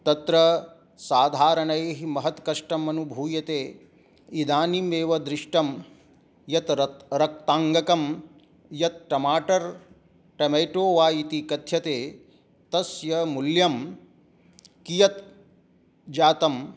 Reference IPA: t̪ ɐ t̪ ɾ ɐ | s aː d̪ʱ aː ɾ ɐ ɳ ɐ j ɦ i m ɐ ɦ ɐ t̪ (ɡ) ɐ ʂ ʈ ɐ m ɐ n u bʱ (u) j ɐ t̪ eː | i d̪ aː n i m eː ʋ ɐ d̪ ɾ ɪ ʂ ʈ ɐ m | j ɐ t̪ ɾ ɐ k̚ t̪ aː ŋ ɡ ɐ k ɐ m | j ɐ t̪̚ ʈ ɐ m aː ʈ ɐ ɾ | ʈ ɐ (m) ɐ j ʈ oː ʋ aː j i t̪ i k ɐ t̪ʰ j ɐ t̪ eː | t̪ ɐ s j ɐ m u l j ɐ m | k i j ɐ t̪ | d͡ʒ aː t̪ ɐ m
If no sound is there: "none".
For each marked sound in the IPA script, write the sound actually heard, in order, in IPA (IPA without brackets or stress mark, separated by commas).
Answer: k, uː, m